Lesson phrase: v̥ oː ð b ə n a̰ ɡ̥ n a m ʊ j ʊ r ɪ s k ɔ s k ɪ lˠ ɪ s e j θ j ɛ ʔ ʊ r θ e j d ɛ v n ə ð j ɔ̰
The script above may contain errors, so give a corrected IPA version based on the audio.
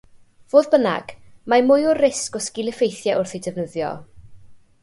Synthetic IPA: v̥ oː ð b ə n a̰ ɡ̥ m a m ʊ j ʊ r ɪ s k ɔ s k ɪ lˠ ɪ f e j θ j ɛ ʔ ʊ r θ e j d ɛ v n ə ð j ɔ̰